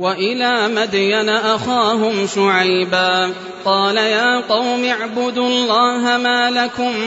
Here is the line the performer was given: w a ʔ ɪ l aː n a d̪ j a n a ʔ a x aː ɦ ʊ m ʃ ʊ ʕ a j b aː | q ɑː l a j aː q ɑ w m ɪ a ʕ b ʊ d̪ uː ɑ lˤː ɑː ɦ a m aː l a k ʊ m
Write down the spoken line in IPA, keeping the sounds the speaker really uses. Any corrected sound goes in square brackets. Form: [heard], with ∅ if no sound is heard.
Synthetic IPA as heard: w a ʔ ɪ l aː [m] a d̪ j a n a ʔ a x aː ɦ ʊ m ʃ ʊ ʕ a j b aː | q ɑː l a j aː q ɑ w m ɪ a ʕ b ʊ d̪ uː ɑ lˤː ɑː ɦ a m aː l a k ʊ m